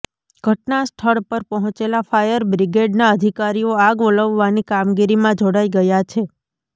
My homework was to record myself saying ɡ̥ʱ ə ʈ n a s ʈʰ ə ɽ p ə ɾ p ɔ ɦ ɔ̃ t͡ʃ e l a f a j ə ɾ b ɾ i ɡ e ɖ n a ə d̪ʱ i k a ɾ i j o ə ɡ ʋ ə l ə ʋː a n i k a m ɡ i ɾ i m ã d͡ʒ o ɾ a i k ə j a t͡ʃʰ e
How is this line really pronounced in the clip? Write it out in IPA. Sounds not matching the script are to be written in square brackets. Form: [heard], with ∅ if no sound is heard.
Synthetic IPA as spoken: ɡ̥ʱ ə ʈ n a s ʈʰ ə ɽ p ə ɾ p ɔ ɦ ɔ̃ t͡ʃ e l a f a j ə ɾ b ɾ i ɡ e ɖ n a ə d̪ʱ i k a ɾ i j o [a] ɡ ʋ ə l ə ʋː a n i k a m ɡ i ɾ i m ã d͡ʒ o [ɽ] a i [ɡ] ə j a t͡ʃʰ e